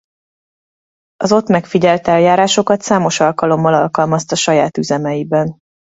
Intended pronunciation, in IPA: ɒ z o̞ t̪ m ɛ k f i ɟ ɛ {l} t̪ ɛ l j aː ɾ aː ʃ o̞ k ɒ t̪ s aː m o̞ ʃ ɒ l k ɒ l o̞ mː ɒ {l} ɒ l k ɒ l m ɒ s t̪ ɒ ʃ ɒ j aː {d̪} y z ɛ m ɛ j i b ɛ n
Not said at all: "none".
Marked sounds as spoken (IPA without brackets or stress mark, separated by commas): l, l, t̪